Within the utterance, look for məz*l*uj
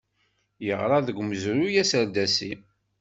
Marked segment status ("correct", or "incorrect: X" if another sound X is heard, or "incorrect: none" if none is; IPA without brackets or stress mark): incorrect: ɾ